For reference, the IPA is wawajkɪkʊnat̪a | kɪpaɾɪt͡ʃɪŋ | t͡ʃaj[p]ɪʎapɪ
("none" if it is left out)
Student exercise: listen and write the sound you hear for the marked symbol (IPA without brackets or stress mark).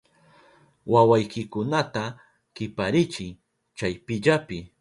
p